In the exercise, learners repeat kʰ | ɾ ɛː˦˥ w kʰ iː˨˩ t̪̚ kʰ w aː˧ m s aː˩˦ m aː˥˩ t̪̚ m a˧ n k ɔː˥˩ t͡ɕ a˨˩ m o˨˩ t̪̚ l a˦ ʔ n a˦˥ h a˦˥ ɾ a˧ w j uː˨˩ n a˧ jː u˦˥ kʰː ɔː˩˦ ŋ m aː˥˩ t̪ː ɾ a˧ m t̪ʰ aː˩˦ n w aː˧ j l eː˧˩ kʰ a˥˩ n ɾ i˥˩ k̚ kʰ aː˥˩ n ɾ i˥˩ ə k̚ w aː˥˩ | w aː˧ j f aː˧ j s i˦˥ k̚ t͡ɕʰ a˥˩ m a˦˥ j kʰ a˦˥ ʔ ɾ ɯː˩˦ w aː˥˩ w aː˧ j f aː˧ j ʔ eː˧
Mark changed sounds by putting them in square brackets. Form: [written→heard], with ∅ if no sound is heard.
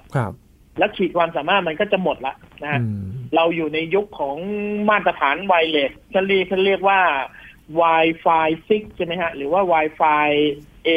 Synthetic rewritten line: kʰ | [ɾ→l] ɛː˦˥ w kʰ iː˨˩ t̪̚ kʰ w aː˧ m s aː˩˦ m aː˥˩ t̪̚ m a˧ n k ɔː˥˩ t͡ɕ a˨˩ m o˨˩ t̪̚ l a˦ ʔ n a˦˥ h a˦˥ ɾ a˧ w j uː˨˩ n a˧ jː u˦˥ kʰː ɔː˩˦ ŋ m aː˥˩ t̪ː ɾ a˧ [m→∅] t̪ʰ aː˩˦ n w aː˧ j l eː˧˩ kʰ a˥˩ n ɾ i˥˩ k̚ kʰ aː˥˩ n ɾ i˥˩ ə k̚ w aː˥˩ | w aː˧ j f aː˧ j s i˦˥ k̚ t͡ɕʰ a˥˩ m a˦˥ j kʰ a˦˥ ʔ ɾ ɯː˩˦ w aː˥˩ w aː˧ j f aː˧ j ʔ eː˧